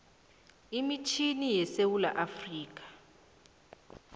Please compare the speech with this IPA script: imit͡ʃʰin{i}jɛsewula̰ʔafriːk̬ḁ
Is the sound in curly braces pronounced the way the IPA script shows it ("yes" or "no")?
yes